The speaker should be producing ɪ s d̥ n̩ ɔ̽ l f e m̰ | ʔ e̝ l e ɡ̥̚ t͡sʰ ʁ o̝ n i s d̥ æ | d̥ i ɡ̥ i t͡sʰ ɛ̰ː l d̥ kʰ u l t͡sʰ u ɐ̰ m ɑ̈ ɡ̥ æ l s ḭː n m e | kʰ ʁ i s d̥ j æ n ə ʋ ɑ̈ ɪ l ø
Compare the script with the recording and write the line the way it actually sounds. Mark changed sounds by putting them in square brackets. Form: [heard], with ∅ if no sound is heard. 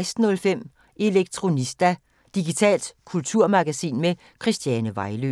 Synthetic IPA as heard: ɪ s d̥ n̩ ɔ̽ l f e m̰ | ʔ e̝ l e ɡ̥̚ t͡sʰ ʁ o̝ n i s d̥ æ | d̥ i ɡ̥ i t͡sʰ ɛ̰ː l d̥ kʰ u l t͡sʰ u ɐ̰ m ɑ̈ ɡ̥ æ [∅] s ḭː n m e | kʰ ʁ i s d̥ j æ n ə ʋ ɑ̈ ɪ l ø